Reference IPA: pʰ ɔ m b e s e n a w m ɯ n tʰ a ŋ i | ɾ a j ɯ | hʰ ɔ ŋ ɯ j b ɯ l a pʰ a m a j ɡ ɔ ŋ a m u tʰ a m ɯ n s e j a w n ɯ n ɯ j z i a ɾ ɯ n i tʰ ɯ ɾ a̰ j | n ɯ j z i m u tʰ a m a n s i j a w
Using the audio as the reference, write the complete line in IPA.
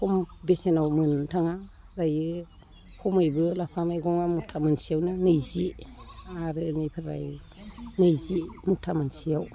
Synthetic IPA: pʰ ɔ m b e s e n a w m ɯ n tʰ a ŋ a | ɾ a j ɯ | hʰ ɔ m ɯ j b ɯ l a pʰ a m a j ɡ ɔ ŋ a m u tʰ a m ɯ n s i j a w n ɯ n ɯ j z i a ɾ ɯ n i pʰ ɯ ɾ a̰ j | n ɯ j z i m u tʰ a m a n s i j a w